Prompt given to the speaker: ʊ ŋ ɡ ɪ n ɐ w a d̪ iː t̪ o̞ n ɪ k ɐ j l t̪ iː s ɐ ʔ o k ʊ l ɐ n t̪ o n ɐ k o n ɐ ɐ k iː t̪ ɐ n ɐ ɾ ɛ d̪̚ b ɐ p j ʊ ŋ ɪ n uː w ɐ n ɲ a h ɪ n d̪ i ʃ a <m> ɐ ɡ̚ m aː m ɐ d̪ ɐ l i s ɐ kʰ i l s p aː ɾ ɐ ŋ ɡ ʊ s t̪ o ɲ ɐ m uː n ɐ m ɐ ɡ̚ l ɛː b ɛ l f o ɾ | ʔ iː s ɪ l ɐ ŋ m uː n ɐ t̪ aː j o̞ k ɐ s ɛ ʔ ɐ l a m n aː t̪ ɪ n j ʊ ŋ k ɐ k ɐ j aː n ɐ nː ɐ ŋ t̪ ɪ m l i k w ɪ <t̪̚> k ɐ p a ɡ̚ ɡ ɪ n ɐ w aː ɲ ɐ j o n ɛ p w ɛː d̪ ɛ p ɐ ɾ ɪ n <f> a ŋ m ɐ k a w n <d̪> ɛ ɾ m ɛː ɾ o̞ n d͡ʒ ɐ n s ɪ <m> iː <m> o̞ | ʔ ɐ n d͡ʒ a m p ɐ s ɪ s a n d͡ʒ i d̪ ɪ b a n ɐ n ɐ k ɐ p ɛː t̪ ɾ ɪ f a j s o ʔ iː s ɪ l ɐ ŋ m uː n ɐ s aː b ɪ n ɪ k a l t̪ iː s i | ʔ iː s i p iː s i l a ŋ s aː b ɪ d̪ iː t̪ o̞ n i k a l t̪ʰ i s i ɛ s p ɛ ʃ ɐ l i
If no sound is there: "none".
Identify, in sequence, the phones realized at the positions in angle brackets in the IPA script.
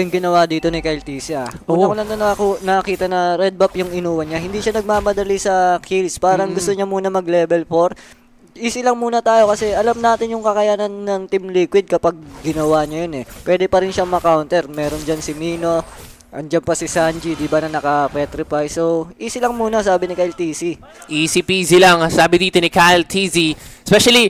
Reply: n, d̪̚, ʃ, t̪, m, n

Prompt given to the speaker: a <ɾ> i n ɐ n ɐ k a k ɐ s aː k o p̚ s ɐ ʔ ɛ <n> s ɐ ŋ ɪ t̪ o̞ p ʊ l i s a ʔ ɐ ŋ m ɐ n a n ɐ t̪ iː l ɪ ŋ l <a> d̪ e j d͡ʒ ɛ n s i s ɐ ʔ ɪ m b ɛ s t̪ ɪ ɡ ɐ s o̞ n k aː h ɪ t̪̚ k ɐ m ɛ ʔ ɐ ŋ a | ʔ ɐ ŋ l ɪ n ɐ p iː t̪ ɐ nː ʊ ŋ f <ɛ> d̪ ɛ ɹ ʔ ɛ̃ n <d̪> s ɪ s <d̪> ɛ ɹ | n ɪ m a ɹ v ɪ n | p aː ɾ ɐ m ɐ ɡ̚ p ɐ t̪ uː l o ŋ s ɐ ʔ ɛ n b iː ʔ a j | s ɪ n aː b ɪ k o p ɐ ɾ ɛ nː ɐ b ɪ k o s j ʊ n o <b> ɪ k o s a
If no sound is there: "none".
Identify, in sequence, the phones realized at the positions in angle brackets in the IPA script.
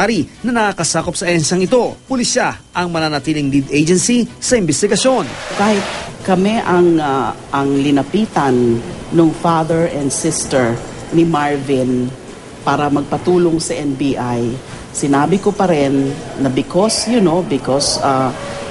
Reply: ɾ, n, i, a, d̪, t̪, b

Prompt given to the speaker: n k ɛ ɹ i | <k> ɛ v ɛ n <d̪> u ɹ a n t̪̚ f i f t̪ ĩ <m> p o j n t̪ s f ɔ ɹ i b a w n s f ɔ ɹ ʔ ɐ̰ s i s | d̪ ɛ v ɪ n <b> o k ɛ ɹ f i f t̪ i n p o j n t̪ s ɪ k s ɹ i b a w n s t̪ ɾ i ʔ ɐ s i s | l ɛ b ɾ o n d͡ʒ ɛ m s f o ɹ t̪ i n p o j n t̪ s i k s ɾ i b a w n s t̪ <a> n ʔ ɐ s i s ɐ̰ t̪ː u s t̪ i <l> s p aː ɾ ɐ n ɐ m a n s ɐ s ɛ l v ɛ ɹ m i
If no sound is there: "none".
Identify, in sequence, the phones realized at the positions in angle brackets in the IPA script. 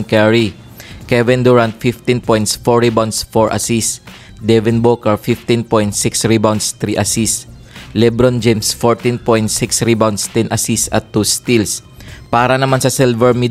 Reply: k, d̪, n, b, ɛ, l

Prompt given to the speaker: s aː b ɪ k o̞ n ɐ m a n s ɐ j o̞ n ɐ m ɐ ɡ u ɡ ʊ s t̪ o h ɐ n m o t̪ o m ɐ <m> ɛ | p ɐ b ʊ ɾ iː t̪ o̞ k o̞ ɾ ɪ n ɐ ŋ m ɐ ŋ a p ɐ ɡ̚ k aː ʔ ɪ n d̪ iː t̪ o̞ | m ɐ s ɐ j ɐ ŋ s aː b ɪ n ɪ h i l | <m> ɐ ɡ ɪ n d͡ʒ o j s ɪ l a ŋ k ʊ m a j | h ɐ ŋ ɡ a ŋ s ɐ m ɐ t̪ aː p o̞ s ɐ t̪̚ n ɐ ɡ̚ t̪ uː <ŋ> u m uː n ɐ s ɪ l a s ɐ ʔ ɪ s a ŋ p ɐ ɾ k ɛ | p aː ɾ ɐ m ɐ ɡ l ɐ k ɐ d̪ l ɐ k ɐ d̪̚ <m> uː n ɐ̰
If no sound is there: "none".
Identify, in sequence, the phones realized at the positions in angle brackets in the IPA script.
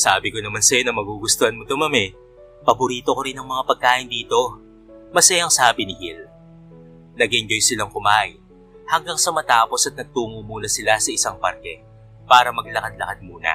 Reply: m, n, ŋ, m

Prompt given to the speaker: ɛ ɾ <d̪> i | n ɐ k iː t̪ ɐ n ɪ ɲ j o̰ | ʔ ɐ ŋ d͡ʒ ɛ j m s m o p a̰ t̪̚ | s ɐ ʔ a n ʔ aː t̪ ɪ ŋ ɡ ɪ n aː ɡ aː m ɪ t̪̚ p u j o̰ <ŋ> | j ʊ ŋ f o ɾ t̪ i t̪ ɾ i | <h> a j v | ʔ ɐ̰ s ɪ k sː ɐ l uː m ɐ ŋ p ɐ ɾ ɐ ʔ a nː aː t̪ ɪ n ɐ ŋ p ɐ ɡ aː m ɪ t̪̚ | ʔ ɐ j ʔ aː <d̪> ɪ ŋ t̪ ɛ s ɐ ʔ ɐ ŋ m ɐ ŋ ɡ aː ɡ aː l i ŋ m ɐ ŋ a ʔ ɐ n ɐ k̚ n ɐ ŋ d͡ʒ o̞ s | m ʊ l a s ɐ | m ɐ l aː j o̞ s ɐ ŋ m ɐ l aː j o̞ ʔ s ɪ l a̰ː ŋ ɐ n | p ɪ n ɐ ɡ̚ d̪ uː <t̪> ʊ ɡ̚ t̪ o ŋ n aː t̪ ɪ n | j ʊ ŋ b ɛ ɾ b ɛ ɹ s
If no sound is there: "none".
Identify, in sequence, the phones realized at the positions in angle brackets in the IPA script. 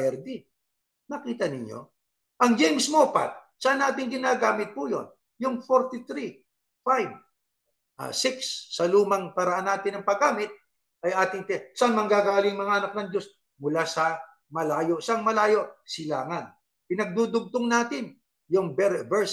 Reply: d̪, n, f, t̪, d̪

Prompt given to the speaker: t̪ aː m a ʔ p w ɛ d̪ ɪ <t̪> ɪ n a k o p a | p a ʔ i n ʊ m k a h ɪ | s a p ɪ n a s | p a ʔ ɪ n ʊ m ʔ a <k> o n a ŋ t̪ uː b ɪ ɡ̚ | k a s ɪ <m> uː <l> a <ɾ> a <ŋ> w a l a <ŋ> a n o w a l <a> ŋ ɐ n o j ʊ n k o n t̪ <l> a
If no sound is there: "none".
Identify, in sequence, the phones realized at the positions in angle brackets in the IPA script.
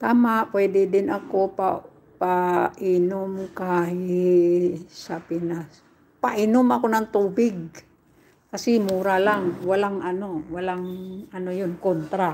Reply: d̪, k, m, ɾ, l, ŋ, ŋ, a, ɾ

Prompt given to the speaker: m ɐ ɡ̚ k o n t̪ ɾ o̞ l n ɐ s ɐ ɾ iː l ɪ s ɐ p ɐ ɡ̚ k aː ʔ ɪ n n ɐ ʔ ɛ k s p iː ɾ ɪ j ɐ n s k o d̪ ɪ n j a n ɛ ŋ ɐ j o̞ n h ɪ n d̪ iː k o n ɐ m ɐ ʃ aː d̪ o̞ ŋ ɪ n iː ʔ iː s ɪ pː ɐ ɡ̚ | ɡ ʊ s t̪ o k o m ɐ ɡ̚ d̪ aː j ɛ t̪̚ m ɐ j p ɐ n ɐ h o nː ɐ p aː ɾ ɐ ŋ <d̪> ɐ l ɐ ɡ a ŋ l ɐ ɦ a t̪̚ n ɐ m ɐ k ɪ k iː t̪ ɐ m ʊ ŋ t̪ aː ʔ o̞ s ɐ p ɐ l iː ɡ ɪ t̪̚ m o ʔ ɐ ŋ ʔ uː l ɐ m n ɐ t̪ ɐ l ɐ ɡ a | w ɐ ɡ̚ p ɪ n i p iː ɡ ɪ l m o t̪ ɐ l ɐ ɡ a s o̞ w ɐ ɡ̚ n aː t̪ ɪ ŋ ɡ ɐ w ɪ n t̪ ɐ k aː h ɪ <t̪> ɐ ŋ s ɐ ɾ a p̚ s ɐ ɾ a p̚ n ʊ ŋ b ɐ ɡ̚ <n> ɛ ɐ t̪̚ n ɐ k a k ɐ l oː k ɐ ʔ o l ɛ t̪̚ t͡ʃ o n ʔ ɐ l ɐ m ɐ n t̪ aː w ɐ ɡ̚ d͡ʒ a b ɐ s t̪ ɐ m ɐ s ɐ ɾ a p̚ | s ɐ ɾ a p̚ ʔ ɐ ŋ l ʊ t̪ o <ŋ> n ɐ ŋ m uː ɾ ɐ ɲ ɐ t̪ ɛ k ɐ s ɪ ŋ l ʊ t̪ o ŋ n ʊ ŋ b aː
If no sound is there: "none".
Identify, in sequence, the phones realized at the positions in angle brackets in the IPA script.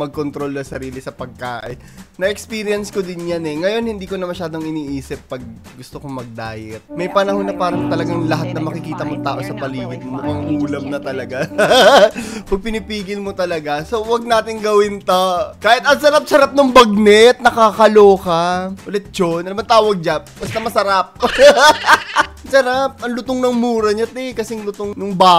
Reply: t̪, t̪, n, ŋ

